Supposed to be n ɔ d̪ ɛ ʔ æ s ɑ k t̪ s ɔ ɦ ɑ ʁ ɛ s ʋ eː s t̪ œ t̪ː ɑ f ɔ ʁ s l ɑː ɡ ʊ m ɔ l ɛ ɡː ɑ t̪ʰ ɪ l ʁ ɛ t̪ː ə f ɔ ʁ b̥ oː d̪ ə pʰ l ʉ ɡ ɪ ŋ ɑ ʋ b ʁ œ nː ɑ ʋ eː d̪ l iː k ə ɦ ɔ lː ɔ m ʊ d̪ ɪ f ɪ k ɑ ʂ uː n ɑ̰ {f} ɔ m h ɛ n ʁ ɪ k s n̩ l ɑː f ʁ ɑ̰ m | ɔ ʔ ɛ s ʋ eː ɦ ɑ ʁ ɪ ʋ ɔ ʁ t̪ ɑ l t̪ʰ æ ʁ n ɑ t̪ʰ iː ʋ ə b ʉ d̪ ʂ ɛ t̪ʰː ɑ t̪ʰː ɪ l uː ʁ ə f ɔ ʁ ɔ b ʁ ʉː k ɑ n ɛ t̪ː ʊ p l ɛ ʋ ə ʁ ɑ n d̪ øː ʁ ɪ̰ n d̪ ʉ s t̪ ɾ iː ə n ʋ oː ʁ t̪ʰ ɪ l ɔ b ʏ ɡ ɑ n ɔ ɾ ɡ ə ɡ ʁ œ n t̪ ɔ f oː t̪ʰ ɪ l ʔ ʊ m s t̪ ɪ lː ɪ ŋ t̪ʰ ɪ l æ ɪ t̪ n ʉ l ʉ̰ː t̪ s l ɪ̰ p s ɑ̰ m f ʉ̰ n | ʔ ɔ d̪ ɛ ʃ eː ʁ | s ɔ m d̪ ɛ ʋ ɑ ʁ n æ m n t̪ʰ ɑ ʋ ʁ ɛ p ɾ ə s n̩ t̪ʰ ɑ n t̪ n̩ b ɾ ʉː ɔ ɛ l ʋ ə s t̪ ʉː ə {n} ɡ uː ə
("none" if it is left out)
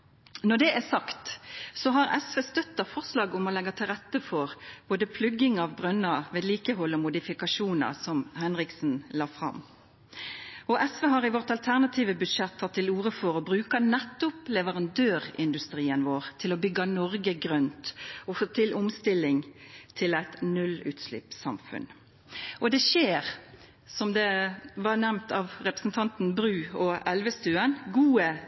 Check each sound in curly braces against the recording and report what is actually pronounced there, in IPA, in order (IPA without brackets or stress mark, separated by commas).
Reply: s, n